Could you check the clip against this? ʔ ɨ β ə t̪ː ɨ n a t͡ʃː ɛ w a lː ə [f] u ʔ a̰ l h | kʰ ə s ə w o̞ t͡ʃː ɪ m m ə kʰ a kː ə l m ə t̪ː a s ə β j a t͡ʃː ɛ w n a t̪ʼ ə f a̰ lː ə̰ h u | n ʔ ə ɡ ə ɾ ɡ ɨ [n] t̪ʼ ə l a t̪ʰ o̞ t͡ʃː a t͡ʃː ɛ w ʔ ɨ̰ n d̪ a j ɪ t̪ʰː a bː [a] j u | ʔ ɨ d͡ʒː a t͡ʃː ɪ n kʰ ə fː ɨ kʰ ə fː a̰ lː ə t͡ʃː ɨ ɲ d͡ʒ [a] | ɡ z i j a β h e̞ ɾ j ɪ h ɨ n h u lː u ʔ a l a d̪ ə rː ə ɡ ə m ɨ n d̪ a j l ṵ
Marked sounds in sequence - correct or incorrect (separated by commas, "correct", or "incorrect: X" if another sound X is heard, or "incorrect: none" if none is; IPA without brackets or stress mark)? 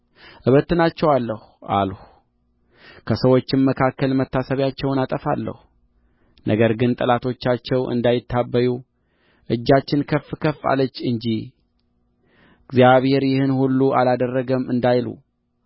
incorrect: h, correct, incorrect: ə, incorrect: i